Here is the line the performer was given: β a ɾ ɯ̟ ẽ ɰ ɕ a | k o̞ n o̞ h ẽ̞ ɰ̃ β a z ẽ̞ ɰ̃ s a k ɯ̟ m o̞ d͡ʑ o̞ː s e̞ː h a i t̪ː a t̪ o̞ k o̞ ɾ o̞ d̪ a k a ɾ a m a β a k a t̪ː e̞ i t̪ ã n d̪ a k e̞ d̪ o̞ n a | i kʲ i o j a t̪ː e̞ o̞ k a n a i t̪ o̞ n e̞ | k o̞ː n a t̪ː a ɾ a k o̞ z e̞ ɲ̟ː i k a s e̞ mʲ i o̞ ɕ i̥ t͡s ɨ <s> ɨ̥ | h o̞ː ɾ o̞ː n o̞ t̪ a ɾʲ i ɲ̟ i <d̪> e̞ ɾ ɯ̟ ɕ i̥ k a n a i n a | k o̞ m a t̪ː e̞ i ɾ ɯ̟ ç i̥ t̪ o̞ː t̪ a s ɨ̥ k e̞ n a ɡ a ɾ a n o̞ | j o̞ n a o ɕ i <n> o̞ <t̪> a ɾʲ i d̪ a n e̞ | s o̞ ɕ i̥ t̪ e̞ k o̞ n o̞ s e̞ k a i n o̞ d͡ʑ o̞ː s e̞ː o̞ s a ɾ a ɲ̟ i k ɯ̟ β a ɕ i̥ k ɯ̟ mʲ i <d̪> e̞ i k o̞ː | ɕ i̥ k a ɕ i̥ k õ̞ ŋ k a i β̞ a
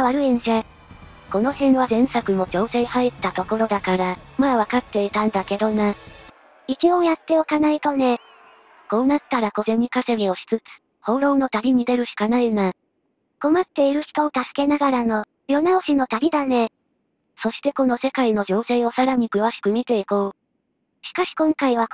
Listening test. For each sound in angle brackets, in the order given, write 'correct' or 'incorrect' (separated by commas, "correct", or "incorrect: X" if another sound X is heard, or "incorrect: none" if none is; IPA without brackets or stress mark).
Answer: incorrect: t͡s, correct, correct, correct, incorrect: t̪